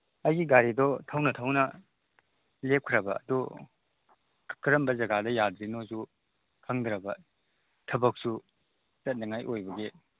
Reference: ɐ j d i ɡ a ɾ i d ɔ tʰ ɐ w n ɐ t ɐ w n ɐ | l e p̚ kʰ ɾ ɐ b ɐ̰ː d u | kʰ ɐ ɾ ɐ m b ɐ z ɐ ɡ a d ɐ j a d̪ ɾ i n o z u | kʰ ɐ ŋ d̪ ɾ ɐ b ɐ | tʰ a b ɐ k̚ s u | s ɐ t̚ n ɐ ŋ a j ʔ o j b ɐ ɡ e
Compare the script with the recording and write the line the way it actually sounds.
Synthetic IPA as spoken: ɐ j ɡ i ɡ a ɾ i d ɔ tʰ ɐ w n ɐ tʰ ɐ w n ɐ | l e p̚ kʰ ɾ ɐ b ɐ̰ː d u | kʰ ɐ ɾ ɐ m b ɐ z ɐ ɡ a d ɐ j a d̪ ɾ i n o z u | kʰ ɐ ŋ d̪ ɾ ɐ b ɐ | tʰ ɐ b ɐ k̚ s u | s ɐ t̚ n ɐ ŋ a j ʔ o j b ɐ ɡ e